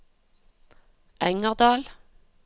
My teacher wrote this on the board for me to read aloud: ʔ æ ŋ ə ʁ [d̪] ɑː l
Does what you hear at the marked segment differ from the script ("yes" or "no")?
no